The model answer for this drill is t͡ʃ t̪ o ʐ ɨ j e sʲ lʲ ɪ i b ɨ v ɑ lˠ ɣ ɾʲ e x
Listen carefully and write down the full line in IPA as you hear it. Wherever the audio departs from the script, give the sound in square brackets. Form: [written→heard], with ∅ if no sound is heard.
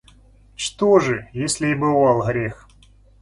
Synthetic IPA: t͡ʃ t̪ o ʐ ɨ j e sʲ lʲ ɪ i b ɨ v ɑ lˠ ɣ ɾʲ e x